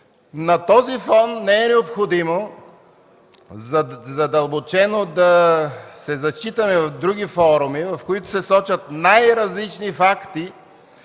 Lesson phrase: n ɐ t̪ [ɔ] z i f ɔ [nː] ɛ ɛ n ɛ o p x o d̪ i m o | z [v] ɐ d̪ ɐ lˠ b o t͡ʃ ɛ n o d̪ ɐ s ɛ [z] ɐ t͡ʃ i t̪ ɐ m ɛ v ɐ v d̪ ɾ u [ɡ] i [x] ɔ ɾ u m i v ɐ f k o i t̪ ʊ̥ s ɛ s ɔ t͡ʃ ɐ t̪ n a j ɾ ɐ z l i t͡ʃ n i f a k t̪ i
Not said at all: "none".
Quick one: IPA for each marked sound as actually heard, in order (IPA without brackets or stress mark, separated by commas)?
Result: ɔ, nː, z, z, ɡ, f